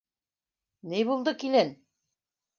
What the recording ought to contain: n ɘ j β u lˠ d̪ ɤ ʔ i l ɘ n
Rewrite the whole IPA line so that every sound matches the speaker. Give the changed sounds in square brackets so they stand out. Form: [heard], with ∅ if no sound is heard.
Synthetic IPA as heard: n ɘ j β u lˠ d̪ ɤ [k] i l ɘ n